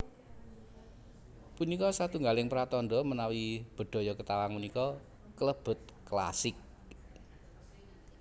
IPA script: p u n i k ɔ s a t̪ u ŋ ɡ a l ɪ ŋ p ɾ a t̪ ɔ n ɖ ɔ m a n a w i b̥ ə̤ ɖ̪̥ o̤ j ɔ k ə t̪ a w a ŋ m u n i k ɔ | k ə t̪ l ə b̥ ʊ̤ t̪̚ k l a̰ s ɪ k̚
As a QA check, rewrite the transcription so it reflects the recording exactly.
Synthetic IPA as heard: p u n i k ɔ s a t̪ u ŋ ɡ a l ɪ ŋ p ɾ a t̪ ɔ n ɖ ɔ m ə n a w i b̥ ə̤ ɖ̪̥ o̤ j ɔ k ə t̪ a w a ŋ m u n i k ɔ | k ə l ə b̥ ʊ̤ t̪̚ k l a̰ s ɪ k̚